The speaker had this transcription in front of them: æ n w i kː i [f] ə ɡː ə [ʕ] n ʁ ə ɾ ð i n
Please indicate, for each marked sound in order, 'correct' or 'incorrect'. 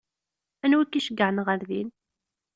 incorrect, correct

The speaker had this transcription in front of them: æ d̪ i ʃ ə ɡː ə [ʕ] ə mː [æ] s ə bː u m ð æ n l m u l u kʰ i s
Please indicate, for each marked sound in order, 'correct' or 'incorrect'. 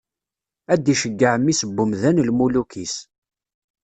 correct, incorrect

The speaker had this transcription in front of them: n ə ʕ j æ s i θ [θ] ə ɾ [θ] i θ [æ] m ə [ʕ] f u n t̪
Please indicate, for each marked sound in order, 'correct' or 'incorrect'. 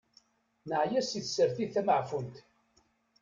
incorrect, correct, correct, correct

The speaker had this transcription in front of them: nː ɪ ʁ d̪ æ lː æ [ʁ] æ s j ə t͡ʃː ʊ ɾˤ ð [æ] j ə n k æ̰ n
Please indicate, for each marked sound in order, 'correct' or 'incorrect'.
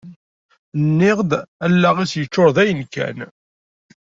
correct, correct

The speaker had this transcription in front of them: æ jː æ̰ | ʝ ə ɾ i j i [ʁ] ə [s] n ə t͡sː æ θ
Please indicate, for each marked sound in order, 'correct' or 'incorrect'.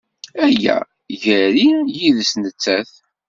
incorrect, correct

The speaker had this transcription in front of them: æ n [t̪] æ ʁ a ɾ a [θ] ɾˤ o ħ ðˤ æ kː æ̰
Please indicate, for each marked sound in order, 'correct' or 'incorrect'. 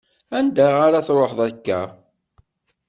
incorrect, correct

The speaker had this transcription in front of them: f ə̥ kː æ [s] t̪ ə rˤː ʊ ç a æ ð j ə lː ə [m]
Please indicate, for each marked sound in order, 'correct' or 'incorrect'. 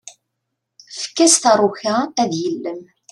correct, correct

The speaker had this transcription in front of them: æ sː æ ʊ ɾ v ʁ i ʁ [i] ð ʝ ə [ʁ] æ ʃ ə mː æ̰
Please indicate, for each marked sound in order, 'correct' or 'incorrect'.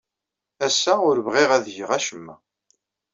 incorrect, correct

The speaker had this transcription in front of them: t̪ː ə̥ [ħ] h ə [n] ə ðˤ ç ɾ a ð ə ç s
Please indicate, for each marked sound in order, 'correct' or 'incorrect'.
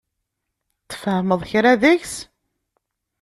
incorrect, incorrect

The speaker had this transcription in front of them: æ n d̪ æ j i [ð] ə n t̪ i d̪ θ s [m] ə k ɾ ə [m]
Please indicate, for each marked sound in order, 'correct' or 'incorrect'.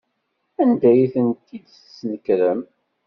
incorrect, incorrect, correct

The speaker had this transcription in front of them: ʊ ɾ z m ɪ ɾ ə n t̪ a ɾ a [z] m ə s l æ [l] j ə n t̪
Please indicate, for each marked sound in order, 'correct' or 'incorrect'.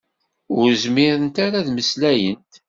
incorrect, incorrect

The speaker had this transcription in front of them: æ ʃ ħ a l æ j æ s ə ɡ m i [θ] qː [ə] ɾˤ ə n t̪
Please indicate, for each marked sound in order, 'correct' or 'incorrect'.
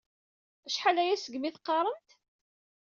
correct, incorrect

